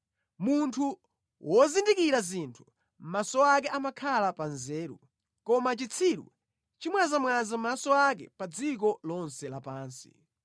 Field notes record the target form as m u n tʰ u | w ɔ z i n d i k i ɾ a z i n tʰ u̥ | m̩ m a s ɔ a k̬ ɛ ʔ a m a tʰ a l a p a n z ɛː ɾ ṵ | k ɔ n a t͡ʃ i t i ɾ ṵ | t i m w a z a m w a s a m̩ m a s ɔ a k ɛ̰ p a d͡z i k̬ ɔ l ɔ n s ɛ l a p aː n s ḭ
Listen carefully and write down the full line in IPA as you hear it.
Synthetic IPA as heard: m u n tʰ u | w ɔ z i n d i k i ɾ a z i n tʰ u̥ | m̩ m a s ɔ a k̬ ɛ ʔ a m a kʰ a l a p a n z ɛː ɾ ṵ | k ɔ m a t͡ʃ i t͡sʰ i ɾ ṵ | t͡ʃ i m w a z a m w a z a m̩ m a s ɔ a k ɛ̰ p a d͡z i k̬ ɔ l ɔ n s ɛ l a p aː n s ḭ